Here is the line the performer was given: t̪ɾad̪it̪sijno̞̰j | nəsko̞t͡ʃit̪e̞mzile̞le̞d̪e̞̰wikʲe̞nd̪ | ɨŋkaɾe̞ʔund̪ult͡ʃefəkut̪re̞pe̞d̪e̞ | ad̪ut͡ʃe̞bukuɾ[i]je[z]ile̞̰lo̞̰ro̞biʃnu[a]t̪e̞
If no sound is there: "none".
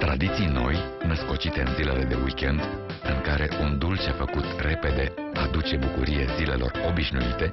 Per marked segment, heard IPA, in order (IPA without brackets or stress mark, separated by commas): i, z, i